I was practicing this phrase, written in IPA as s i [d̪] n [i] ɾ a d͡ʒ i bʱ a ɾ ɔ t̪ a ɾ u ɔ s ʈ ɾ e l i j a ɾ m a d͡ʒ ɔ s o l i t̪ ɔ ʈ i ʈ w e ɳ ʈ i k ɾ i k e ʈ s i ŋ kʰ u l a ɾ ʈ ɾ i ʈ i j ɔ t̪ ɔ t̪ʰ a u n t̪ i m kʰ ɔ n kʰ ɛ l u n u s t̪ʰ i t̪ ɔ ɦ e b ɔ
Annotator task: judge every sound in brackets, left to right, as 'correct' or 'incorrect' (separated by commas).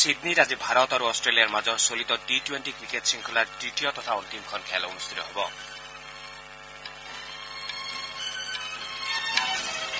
correct, correct